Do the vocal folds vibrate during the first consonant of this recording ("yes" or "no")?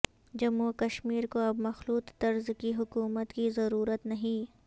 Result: yes